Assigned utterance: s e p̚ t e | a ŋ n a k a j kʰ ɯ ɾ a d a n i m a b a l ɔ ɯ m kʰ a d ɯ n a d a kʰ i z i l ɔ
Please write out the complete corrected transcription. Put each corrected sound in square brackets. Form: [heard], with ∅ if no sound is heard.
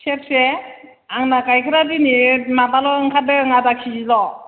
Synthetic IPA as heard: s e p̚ [s] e | a ŋ n a k a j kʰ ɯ ɾ a d [i] n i m a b a l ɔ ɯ [ŋ] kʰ a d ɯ [ŋ] a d a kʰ i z i l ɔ

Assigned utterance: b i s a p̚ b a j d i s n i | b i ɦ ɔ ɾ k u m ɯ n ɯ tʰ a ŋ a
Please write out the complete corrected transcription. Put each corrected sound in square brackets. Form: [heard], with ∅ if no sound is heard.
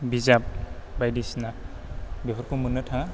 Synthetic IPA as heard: b i [z] a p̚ b a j d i s n [a] | b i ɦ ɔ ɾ k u m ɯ n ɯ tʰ a ŋ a

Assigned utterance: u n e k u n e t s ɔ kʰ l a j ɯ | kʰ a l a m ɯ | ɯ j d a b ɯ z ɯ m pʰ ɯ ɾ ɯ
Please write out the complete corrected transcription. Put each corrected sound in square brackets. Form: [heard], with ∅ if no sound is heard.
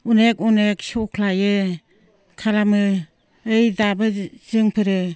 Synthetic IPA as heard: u n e k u n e [k] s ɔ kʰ l a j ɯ | kʰ a l a m ɯ | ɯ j d a b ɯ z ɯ [ŋ] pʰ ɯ ɾ ɯ

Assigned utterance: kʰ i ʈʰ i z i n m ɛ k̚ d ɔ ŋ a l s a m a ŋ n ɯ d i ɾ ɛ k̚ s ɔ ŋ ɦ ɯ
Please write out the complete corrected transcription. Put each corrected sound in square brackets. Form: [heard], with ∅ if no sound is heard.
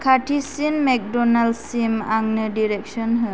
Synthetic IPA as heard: kʰ [a] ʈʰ i [s] i n m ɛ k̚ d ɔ [n] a l s [i] m a ŋ n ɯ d i ɾ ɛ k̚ s ɔ [n] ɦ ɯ

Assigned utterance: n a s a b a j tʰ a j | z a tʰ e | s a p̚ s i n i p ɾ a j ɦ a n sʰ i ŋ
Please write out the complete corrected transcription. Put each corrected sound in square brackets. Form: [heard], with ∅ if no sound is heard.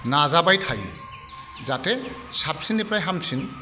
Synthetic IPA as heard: n a [z] a b a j tʰ a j | z a [t] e | s a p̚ s i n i p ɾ a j ɦ a [m] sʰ i [n]

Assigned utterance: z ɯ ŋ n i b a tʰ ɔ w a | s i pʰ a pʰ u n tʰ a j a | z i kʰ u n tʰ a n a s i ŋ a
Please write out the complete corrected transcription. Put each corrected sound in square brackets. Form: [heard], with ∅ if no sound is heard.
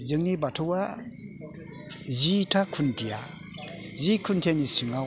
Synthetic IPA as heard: z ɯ ŋ n i b a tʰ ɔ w a | [z] i [tʰ] a [kʰ] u n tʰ [i] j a | z i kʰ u n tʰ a n [i] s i ŋ a

